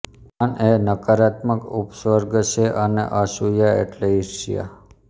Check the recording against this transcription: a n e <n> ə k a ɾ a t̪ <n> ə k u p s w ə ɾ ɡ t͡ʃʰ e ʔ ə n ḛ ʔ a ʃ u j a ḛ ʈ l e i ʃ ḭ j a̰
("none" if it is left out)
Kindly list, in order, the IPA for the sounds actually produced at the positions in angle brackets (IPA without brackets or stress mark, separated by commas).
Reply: n, m